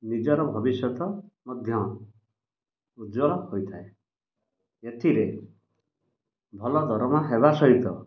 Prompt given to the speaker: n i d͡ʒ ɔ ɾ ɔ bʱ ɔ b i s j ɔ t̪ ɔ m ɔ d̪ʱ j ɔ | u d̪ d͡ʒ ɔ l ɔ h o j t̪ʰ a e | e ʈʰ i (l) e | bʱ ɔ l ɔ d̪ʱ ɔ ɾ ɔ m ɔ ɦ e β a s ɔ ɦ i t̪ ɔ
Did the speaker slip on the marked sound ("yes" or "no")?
yes